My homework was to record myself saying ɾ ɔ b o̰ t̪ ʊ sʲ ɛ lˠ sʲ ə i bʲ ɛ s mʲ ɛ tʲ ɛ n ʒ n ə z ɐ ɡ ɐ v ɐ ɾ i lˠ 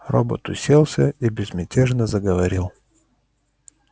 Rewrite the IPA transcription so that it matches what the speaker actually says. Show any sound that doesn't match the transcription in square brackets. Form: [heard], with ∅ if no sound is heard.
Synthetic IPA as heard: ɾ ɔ b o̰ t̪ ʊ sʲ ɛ lˠ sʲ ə i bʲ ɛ [z] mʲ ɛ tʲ ɛ [∅] ʒ n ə z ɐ ɡ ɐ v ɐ ɾ i lˠ